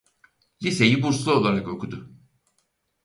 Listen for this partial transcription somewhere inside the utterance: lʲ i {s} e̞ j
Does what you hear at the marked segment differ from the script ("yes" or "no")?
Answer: no